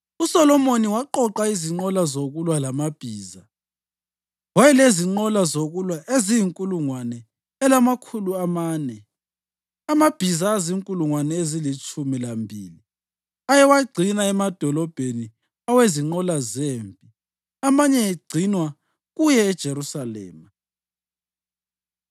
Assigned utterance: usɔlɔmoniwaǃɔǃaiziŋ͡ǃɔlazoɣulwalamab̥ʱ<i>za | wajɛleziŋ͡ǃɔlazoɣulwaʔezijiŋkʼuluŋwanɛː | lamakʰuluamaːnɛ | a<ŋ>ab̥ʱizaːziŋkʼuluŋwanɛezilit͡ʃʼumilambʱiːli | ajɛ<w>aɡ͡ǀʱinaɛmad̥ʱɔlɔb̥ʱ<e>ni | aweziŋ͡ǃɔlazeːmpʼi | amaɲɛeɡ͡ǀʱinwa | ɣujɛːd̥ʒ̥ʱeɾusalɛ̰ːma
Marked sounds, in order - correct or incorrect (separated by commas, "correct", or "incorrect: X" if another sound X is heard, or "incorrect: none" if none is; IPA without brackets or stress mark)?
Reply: incorrect: iː, incorrect: m, correct, correct